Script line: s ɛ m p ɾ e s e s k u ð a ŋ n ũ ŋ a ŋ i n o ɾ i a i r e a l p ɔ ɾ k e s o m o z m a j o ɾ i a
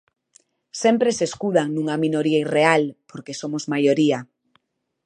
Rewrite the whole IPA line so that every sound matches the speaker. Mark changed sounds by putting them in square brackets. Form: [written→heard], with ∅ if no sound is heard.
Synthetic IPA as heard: s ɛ m p ɾ e s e s k u ð a ŋ n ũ ŋ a [ŋ→m] i n o ɾ i a i r e a l p [ɔ→o] ɾ k e s o m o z m a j o ɾ i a